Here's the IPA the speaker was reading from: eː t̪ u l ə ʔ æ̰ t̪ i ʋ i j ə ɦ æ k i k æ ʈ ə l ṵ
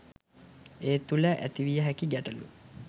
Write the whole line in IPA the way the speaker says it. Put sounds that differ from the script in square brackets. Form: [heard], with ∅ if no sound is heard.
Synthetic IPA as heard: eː t̪ u l ə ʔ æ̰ t̪ i ʋ i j ə ɦ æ k i [ɡ] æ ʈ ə l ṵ